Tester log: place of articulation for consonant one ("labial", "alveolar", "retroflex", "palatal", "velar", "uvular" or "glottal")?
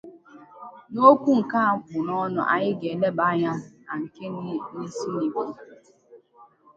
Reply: alveolar